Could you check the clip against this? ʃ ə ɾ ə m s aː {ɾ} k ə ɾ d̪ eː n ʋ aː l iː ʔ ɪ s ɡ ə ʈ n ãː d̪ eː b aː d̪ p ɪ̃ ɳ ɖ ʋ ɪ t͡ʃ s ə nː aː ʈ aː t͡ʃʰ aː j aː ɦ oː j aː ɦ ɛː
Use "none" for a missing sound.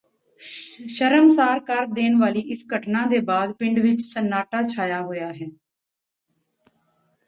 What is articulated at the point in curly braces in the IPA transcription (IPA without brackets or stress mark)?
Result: ɾ